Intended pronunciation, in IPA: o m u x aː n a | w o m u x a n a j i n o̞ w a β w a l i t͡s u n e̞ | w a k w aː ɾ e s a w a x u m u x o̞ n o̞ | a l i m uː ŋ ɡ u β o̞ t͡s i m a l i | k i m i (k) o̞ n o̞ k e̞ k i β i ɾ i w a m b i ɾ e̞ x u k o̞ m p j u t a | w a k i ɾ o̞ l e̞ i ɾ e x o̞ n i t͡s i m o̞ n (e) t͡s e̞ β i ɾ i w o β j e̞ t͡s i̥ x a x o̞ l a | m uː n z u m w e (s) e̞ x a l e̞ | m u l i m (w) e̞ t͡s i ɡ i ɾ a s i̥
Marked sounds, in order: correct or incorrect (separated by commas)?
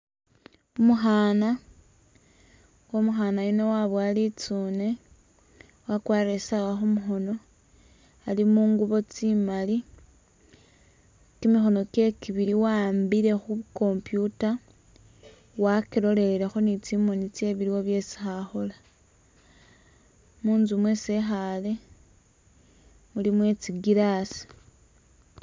incorrect, incorrect, correct, correct